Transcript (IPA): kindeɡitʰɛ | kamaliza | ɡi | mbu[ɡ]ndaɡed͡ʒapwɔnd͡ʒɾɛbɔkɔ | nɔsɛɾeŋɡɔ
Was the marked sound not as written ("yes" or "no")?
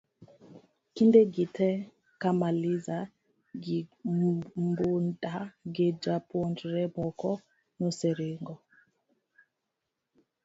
yes